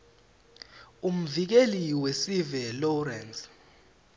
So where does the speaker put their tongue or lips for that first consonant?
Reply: lips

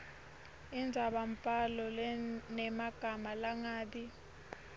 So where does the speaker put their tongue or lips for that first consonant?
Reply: tongue tip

